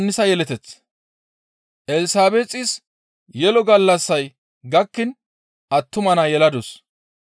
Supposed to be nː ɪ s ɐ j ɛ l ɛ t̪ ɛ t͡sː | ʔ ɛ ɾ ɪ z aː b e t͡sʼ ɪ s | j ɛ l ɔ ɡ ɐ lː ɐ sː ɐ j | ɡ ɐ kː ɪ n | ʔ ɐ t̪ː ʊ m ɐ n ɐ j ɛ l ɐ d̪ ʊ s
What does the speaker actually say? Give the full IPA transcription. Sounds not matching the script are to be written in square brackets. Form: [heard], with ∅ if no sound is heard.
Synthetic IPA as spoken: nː ɪ s ɐ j ɛ l ɛ t̪ ɛ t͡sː | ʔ ɛ [l] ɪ [s] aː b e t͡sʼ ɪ s | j ɛ l ɔ ɡ ɐ lː ɐ sː ɐ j | ɡ ɐ kː ɪ n | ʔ ɐ t̪ː ʊ m ɐ n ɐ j ɛ l ɐ d̪ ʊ s